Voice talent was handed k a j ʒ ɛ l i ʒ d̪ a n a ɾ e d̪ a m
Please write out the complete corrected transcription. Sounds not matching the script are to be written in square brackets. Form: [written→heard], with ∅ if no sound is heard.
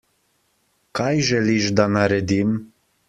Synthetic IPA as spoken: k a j ʒ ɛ l i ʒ d̪ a n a ɾ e d̪ [a→i] m